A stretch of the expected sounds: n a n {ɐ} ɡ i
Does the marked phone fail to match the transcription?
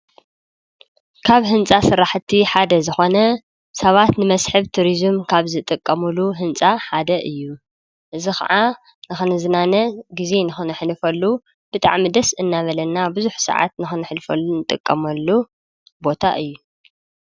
no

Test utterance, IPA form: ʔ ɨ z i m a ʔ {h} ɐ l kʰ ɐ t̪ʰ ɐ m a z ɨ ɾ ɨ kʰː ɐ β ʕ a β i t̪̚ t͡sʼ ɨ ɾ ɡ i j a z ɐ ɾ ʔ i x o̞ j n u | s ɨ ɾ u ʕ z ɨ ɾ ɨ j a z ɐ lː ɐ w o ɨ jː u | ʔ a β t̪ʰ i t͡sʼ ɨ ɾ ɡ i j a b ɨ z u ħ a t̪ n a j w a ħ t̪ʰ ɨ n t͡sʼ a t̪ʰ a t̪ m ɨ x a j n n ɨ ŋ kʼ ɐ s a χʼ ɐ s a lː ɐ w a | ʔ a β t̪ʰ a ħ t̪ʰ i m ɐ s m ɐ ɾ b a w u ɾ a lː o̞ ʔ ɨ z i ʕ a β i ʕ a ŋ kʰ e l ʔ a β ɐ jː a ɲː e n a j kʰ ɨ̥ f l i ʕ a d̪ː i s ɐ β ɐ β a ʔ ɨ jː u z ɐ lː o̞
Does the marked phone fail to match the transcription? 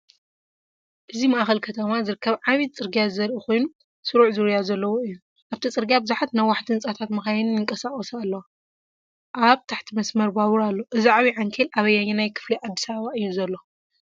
yes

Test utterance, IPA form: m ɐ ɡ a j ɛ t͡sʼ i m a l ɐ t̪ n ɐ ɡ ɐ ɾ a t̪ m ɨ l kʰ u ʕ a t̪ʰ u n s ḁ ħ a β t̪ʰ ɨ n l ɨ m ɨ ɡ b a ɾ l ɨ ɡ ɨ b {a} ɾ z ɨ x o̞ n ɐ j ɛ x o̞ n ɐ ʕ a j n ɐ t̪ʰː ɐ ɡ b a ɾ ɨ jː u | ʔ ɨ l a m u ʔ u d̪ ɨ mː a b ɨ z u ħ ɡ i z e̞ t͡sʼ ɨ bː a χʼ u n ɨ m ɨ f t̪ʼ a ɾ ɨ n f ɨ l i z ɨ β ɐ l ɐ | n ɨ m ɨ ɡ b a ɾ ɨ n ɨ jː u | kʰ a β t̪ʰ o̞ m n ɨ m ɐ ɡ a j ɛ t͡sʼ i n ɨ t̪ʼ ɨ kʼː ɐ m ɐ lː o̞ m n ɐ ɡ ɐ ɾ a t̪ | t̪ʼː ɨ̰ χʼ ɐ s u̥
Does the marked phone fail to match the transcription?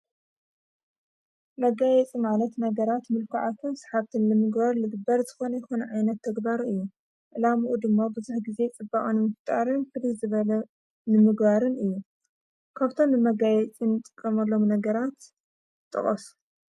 yes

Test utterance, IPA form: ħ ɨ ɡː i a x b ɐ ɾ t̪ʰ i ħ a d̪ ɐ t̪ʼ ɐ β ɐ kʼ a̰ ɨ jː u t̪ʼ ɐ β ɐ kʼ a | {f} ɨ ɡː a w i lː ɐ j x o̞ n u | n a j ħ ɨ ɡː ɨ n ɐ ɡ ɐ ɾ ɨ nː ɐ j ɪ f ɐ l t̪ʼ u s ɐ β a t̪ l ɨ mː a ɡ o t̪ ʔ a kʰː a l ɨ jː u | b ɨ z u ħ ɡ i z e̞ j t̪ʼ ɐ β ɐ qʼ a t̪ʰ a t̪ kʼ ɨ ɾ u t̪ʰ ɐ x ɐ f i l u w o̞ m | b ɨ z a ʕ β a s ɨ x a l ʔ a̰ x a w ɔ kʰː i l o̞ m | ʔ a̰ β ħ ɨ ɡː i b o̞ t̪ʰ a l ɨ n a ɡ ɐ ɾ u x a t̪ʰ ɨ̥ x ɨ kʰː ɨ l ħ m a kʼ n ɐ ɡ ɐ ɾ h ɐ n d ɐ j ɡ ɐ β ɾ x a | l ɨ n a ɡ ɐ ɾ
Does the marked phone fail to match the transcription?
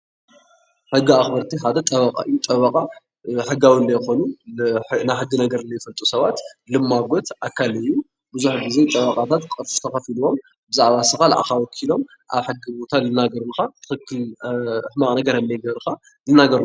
yes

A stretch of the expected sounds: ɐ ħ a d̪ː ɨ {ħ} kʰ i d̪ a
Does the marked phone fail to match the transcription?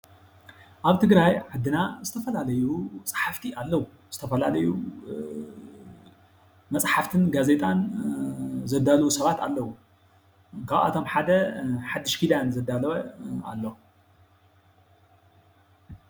yes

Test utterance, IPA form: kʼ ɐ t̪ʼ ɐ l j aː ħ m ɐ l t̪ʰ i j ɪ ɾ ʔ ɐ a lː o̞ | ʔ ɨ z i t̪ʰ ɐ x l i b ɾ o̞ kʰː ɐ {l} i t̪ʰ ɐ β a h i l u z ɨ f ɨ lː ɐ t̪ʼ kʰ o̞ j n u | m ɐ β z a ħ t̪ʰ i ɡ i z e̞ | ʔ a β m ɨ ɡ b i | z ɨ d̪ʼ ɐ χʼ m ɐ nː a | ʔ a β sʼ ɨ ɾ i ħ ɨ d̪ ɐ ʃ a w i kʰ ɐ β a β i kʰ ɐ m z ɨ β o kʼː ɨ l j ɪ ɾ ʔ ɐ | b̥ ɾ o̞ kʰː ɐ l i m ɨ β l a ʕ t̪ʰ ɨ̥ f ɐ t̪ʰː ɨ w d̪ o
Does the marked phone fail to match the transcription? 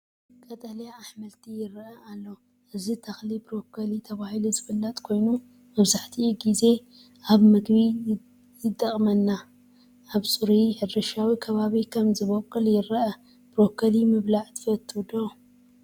no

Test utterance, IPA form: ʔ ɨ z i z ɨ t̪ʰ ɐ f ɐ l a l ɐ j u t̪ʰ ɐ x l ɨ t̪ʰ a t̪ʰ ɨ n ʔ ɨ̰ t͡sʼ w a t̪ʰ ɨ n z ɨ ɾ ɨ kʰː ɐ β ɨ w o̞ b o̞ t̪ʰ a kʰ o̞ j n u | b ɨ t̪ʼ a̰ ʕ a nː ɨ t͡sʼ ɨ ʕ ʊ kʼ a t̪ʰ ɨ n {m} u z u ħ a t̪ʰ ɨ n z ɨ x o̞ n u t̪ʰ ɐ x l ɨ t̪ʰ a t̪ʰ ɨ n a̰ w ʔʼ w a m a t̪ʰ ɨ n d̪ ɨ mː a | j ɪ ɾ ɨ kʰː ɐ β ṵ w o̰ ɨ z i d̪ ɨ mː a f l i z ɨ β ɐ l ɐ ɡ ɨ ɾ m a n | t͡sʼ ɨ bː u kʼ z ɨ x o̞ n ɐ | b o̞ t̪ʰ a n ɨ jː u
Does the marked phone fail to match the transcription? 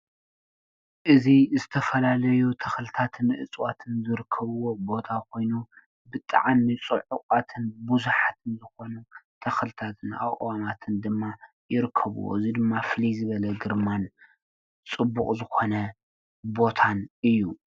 yes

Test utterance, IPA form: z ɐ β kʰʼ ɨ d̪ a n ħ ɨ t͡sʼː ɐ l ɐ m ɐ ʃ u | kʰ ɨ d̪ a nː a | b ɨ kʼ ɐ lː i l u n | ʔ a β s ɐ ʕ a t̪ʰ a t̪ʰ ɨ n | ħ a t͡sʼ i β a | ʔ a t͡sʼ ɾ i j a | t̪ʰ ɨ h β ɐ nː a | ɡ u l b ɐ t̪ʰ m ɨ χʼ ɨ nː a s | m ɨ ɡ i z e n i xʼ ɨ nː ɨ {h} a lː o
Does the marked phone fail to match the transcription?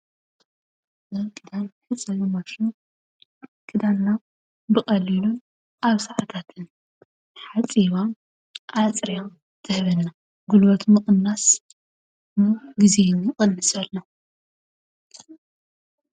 yes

